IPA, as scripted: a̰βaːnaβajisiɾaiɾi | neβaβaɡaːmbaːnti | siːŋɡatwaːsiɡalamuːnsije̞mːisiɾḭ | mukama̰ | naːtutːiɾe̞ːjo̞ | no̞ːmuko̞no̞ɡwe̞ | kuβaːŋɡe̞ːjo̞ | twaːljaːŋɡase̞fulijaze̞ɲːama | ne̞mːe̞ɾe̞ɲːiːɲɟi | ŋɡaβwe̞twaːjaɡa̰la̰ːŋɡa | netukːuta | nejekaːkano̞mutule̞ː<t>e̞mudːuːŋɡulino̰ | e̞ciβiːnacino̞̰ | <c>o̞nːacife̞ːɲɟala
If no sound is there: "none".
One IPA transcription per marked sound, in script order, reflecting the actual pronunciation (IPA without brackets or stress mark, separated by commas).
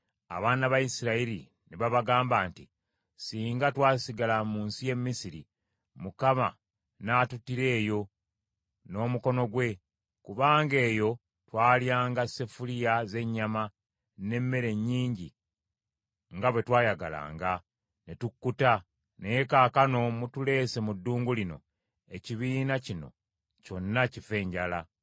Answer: s, c